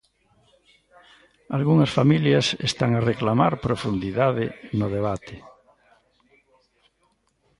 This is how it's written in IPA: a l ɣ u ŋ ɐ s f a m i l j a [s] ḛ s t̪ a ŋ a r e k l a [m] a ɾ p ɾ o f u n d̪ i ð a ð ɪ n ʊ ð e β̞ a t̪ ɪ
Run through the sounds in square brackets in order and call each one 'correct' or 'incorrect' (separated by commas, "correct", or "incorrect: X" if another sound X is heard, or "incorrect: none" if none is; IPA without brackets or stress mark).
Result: correct, correct